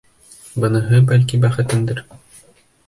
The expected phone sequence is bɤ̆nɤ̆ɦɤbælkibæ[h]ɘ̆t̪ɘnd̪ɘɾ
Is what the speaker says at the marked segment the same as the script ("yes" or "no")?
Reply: no